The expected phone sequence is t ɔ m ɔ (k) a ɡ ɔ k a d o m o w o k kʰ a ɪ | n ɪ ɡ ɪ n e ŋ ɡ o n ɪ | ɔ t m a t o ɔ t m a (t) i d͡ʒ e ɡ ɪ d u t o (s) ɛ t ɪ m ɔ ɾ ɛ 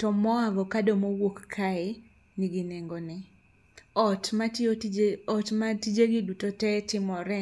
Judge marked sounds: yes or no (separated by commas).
no, yes, no